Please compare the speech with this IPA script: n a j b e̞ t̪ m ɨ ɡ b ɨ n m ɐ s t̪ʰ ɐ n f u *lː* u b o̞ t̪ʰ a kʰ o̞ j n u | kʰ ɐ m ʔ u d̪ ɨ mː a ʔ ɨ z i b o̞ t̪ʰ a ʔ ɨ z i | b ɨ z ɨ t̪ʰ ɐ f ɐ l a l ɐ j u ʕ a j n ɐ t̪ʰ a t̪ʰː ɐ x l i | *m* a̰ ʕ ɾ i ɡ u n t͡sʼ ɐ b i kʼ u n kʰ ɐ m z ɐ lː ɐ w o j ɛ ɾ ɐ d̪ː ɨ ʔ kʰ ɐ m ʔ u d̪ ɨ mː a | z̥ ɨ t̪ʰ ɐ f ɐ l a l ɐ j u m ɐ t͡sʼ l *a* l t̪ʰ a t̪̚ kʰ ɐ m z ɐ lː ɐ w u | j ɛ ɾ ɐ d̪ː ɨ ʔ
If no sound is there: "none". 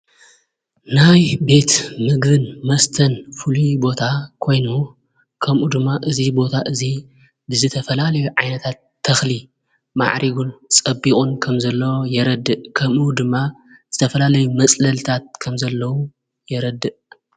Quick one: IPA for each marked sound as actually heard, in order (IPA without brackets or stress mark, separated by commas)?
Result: l, m, ɐ